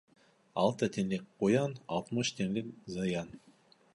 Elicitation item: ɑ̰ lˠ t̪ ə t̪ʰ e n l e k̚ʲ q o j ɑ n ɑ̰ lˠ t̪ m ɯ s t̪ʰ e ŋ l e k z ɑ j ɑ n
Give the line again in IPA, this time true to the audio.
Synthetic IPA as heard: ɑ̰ lˠ t̪ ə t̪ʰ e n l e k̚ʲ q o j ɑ n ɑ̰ lˠ t̪ m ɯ ʃ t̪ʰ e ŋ l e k z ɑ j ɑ n